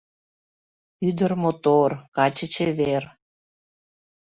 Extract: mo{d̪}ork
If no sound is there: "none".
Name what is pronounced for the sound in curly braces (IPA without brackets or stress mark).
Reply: t̪